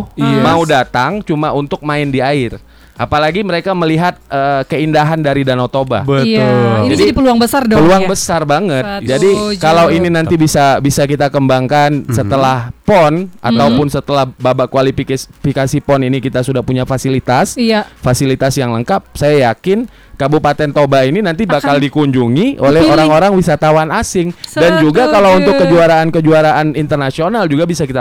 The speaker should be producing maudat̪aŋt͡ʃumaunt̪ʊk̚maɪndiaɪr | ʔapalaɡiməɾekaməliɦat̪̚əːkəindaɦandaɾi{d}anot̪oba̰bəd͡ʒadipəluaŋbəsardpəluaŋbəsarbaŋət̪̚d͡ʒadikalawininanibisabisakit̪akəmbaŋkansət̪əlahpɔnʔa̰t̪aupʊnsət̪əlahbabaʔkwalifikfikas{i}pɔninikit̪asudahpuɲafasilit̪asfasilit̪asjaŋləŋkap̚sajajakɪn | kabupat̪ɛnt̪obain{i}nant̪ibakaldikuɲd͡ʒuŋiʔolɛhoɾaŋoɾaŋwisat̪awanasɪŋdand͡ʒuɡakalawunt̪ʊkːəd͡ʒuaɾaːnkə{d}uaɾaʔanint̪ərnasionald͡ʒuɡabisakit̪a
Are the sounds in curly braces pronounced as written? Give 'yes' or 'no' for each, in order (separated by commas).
yes, yes, yes, no